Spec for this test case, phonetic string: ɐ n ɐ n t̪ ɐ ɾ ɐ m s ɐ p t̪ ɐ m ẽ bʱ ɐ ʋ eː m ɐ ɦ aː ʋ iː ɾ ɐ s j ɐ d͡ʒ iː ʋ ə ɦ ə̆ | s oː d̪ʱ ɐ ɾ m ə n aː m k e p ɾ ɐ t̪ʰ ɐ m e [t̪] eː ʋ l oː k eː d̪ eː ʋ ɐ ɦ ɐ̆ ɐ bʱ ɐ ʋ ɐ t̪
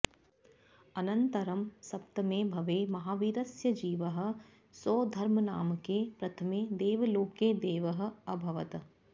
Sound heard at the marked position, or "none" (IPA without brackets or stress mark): d̪